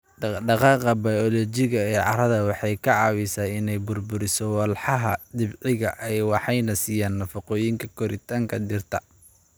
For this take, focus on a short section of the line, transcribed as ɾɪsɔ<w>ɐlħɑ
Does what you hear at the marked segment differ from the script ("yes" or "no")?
no